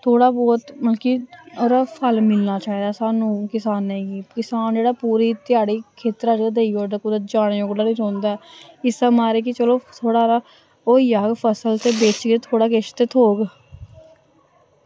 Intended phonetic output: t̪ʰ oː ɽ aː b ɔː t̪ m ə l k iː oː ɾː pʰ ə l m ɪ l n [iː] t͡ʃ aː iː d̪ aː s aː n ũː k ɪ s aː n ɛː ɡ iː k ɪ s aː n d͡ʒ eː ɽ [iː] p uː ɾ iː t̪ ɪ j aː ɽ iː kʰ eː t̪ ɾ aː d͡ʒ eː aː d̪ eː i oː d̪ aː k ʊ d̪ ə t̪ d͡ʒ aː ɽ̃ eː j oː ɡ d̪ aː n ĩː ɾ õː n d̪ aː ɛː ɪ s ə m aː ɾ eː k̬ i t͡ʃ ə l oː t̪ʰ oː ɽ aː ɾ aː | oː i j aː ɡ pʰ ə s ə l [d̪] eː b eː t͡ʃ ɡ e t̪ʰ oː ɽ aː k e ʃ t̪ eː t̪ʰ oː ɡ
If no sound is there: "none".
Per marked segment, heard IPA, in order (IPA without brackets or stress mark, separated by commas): aː, aː, t̪